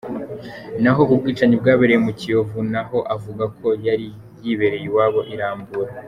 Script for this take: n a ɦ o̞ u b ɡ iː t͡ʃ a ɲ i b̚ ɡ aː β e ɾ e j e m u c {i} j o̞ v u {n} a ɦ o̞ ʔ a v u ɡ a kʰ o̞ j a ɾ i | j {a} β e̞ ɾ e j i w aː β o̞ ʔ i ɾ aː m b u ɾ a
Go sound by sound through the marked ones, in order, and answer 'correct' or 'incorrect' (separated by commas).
correct, correct, incorrect